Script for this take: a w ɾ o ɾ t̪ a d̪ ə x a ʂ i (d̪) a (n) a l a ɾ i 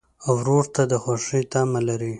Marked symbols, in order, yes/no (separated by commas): no, no